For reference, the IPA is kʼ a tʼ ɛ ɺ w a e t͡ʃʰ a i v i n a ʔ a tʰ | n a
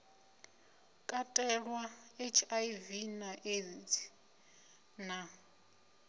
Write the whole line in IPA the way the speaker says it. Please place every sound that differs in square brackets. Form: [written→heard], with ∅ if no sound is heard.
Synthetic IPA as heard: kʼ a tʼ ɛ ɺ w a e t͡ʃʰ a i v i n a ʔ [a→e] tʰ | n a